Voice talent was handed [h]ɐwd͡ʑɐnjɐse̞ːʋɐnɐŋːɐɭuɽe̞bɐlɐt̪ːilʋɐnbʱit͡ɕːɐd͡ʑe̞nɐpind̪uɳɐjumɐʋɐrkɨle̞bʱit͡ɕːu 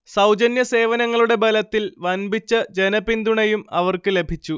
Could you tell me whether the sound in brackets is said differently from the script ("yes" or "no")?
yes